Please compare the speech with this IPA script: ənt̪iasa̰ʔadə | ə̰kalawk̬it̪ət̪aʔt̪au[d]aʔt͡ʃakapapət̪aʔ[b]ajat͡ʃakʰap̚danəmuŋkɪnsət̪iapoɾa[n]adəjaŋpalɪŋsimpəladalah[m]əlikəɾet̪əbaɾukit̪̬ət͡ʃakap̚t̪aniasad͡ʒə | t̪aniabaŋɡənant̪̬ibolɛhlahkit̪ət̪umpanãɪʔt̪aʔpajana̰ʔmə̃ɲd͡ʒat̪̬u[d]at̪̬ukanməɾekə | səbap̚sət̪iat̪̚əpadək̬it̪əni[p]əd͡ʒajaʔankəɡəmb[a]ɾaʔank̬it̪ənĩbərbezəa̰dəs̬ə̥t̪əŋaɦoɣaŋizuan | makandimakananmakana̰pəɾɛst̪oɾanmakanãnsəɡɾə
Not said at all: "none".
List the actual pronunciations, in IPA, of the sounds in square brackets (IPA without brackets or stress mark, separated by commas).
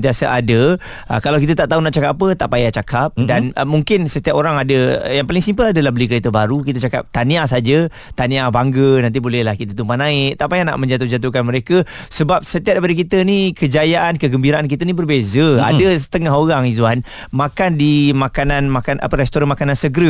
n, p, ŋ, b, d͡ʒ, k, i